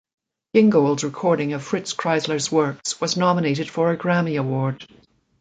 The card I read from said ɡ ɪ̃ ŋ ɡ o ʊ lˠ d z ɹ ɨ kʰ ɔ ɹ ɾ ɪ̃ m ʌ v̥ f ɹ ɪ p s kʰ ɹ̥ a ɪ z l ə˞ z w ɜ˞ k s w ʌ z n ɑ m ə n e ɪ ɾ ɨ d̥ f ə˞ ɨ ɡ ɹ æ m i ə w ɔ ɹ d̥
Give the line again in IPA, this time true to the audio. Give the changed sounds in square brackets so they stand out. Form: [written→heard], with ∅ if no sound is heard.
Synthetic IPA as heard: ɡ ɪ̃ ŋ ɡ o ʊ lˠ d z ɹ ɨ kʰ ɔ ɹ ɾ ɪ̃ [m→ŋ] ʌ v̥ f ɹ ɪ [p→t] s kʰ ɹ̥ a ɪ z l ə˞ z w ɜ˞ k s w ʌ z n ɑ m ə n e ɪ ɾ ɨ d̥ f ə˞ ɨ ɡ ɹ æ m i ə w ɔ ɹ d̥